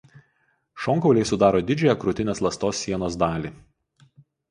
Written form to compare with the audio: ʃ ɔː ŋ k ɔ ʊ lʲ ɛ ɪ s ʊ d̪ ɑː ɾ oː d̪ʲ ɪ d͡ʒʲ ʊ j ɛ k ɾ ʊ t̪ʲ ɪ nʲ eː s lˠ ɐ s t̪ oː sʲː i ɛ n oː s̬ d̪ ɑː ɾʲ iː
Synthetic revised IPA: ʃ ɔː ŋ k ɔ ʊ lʲ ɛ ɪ s ʊ d̪ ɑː ɾ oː d̪ʲ ɪ d͡ʒʲ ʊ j ɛ k ɾ ʊ t̪ʲ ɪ nʲ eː s lˠ ɐ s t̪ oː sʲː i ɛ n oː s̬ d̪ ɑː lʲ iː